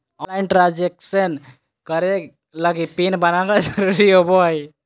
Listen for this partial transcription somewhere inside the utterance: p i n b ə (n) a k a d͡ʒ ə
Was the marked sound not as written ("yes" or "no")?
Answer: no